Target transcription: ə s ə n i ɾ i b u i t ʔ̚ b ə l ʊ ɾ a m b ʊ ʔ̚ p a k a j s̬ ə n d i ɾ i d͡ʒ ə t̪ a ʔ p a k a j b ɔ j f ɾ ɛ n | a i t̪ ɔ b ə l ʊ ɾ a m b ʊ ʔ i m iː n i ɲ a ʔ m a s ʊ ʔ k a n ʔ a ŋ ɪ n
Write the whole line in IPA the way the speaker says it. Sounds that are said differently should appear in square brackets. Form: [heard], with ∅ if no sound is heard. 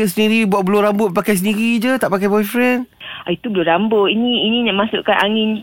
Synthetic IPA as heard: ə s ə n i ɾ i b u [a] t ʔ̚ b ə l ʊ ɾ a m b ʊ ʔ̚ p a k a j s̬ ə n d i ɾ i d͡ʒ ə t̪ a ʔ p a k a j b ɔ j f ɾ ɛ n | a i t̪ [u] b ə l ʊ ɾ a m b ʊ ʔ i [n] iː n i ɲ a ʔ m a s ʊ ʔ k a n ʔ a ŋ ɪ n